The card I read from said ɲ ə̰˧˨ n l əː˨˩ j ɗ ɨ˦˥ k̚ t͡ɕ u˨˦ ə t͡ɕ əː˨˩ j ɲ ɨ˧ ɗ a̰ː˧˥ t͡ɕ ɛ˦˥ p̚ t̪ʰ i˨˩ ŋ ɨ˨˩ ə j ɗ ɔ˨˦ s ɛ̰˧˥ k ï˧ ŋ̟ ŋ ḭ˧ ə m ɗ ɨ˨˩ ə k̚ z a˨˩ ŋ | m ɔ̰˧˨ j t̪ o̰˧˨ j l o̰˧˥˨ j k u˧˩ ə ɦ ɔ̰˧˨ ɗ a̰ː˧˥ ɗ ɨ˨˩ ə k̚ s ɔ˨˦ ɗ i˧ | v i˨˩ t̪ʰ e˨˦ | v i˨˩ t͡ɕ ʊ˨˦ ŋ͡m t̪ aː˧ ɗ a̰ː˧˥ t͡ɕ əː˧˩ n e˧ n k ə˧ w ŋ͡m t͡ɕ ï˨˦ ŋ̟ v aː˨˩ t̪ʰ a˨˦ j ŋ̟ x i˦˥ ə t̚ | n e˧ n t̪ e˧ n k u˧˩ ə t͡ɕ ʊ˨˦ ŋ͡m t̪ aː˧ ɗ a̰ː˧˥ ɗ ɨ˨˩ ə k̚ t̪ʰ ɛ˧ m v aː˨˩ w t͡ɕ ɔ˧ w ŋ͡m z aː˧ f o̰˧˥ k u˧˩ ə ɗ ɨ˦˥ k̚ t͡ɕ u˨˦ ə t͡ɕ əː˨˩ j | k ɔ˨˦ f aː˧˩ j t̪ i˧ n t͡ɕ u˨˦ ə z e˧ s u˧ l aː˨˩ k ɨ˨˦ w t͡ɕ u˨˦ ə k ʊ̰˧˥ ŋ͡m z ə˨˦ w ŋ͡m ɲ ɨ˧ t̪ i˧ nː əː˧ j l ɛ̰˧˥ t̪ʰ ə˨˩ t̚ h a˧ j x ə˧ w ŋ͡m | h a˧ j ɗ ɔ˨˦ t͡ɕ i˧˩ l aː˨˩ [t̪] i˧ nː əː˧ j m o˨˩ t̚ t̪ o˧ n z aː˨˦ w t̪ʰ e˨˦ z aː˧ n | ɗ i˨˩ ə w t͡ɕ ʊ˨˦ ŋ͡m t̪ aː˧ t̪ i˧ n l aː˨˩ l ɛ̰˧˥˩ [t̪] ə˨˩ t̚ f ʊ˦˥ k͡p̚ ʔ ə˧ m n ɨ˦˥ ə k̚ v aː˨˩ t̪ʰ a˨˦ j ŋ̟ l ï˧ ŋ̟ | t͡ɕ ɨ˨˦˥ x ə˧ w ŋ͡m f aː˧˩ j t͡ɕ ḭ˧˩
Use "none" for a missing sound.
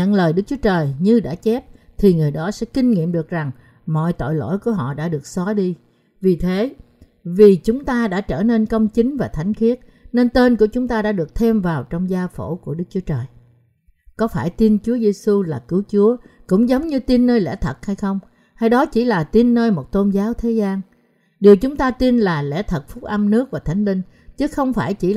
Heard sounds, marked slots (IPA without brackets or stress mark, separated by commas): t̪, t̪ʰ